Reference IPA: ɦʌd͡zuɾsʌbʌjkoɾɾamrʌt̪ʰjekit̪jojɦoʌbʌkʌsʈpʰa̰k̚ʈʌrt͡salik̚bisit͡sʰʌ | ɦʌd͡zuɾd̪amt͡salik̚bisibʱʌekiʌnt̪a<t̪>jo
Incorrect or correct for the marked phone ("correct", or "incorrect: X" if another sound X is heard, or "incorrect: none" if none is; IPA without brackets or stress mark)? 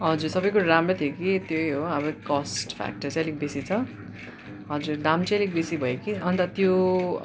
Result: correct